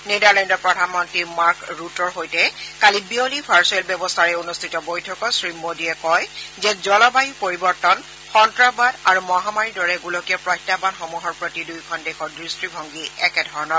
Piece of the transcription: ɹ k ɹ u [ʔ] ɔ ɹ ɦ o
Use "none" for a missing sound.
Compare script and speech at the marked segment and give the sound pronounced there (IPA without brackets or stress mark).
t